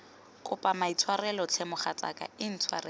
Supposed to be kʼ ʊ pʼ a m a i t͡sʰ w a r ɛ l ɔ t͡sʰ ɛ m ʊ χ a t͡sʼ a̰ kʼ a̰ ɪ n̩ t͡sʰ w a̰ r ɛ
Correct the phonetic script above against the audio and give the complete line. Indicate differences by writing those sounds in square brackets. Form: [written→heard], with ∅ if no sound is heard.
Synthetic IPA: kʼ ʊ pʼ a m a i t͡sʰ w a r ɛ l ɔ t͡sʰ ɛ m ʊ χ a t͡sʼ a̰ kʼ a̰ ɪ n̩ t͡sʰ w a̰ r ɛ